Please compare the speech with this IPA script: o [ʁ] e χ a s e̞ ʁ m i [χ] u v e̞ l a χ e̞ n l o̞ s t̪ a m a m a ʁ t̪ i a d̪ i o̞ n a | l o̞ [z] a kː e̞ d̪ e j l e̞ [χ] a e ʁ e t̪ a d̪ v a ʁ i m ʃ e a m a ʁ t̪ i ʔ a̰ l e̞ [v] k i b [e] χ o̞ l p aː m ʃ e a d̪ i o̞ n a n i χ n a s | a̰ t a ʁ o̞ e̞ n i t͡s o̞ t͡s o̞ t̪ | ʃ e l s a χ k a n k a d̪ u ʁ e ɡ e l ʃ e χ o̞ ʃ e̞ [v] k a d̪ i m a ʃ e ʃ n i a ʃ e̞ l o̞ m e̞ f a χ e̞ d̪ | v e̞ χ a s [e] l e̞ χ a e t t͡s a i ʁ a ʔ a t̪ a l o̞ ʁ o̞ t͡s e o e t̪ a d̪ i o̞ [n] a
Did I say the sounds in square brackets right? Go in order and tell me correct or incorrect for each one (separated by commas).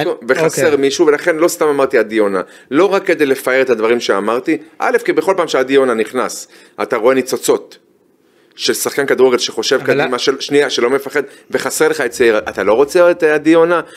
incorrect, incorrect, incorrect, incorrect, incorrect, correct, correct, correct, correct